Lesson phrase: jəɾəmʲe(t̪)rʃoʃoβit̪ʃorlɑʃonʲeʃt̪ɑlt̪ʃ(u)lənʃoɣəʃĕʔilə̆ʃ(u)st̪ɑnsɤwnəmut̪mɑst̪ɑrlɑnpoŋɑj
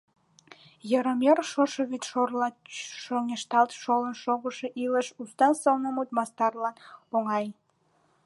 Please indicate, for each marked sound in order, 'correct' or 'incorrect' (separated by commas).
incorrect, incorrect, correct